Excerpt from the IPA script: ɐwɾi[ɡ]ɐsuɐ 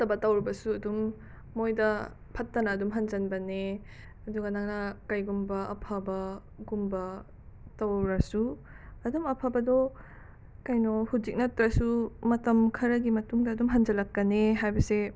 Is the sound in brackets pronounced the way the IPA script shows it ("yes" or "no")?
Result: no